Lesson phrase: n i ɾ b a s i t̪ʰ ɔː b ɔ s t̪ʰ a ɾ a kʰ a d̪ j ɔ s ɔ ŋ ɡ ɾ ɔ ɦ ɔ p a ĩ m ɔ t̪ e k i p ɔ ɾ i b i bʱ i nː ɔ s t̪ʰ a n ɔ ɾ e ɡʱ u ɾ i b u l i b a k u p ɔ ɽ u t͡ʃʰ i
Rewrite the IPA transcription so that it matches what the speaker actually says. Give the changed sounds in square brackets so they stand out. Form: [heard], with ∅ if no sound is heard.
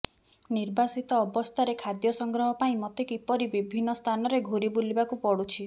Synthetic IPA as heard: n i ɾ b a s i [t̪] ɔː b ɔ s t̪ʰ a ɾ [e] kʰ a d̪ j ɔ s ɔ ŋ ɡ ɾ ɔ ɦ ɔ p a ĩ m ɔ t̪ e k i p ɔ ɾ i b i bʱ i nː ɔ s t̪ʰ a n ɔ ɾ e ɡʱ u ɾ i b u l i b a k u p ɔ ɽ u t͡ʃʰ i